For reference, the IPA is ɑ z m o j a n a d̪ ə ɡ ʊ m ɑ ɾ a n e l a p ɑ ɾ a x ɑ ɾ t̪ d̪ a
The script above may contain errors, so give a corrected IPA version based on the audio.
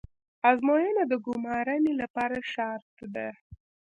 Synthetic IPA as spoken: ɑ z m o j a n a d̪ ə ɡ ʊ m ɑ ɾ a n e l a p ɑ ɾ a ʃ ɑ ɾ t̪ d̪ a